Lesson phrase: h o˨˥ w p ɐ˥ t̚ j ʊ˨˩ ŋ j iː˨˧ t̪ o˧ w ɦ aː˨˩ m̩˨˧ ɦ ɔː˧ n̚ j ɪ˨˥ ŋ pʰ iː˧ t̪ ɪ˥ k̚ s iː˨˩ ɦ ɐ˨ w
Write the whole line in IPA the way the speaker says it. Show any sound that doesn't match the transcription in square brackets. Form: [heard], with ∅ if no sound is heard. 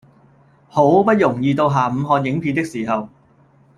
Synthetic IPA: h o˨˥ w p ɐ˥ t̚ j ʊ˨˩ ŋ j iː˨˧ t̪ o˧ w ɦ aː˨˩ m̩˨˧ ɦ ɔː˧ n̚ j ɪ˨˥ ŋ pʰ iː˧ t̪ ɪ˥ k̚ s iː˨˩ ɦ ɐ˨ w